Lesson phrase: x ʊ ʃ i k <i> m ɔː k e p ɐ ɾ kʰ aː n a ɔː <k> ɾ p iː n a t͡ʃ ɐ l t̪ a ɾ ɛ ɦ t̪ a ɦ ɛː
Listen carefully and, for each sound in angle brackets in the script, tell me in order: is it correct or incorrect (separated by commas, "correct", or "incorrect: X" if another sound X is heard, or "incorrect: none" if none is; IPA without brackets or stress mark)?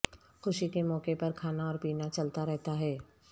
incorrect: e, incorrect: none